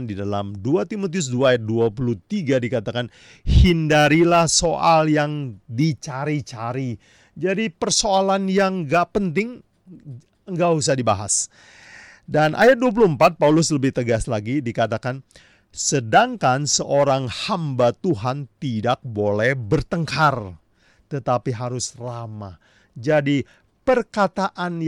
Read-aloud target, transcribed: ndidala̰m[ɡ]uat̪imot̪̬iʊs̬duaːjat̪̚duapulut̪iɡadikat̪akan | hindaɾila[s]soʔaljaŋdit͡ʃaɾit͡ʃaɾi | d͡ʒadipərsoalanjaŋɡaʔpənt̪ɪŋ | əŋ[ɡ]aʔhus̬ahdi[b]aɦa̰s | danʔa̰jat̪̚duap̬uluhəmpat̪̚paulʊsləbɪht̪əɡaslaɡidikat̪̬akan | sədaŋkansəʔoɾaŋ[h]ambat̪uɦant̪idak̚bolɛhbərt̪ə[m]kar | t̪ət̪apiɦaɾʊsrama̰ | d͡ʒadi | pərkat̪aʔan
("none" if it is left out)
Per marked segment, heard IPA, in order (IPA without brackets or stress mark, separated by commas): d, h, ɡ, b, h, ŋ